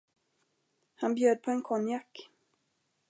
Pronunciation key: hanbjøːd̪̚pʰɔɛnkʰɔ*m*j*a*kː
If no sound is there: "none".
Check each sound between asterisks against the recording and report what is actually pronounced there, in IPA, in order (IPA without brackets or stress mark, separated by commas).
n, a